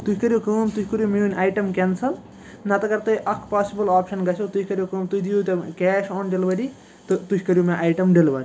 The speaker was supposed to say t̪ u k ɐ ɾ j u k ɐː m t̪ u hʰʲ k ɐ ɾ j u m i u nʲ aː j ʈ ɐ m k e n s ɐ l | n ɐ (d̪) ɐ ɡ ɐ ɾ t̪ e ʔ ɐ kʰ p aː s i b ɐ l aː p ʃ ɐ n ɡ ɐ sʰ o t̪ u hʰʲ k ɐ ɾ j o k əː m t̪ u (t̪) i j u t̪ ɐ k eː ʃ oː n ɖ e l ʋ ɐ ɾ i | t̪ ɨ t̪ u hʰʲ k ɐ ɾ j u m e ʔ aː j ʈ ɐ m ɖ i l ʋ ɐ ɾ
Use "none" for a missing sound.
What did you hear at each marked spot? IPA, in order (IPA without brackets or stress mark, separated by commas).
t̪, d̪